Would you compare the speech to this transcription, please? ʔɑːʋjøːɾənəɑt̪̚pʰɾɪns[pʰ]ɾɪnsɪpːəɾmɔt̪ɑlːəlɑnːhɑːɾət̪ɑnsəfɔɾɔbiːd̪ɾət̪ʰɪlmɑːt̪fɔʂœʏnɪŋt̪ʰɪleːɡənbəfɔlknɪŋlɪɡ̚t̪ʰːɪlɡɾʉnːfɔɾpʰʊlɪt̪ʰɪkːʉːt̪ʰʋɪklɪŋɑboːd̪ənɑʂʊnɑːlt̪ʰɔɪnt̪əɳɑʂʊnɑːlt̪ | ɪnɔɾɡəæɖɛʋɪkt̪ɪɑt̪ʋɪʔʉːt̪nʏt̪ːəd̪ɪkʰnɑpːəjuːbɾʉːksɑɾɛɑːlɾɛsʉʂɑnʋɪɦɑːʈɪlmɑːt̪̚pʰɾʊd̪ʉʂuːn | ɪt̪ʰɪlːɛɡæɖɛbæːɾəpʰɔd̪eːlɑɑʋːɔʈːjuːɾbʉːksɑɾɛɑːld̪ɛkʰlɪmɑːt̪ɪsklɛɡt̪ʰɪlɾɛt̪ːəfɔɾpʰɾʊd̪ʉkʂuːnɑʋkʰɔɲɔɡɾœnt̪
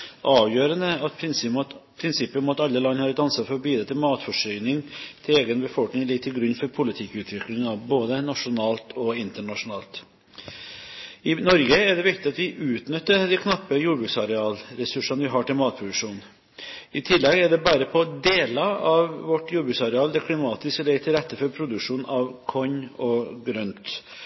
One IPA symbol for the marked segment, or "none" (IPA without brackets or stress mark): pʰ